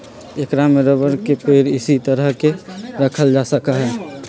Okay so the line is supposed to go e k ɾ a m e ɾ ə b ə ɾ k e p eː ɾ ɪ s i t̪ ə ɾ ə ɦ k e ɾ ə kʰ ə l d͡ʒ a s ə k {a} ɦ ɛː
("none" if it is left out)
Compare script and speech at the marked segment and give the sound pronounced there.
a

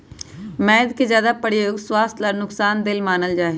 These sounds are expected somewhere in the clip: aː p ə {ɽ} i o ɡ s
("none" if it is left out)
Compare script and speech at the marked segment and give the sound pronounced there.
ɽ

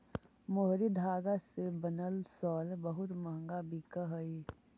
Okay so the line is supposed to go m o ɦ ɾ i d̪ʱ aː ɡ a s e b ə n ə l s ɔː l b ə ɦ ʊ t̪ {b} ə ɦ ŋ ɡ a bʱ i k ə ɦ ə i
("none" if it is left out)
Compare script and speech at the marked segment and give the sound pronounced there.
m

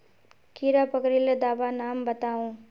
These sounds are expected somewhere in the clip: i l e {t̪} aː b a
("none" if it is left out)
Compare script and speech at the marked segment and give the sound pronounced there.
d̪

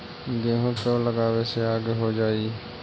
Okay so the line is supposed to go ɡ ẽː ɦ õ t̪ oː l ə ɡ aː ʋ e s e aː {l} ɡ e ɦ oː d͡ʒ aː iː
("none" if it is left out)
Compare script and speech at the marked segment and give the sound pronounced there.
none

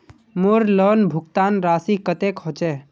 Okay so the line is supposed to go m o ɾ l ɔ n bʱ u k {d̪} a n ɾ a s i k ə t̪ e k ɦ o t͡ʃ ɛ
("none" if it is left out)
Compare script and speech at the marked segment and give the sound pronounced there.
t̪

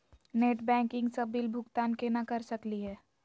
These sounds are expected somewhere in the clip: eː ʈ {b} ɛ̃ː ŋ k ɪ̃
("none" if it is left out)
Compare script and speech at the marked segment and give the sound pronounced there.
b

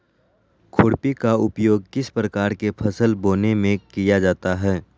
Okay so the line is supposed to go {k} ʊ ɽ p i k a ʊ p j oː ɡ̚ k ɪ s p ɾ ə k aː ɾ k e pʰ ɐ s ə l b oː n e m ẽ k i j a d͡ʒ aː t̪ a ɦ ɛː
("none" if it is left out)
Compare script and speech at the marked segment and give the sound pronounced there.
kʰ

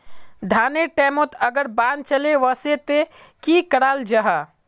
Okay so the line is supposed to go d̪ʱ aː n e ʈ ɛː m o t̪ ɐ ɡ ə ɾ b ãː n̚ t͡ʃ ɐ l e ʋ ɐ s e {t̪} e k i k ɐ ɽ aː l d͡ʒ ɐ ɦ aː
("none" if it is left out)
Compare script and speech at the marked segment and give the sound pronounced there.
t̪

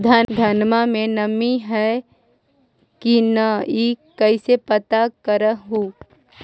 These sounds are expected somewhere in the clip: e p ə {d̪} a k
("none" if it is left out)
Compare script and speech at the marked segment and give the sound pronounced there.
t̪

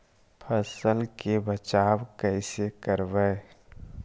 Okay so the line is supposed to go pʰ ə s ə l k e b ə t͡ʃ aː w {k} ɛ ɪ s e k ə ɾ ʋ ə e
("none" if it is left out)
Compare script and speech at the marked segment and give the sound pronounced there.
k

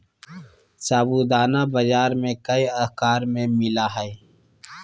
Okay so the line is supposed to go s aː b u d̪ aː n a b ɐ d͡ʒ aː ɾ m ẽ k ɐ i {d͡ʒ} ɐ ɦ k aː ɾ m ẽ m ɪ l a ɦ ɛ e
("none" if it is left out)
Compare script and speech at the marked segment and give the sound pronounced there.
none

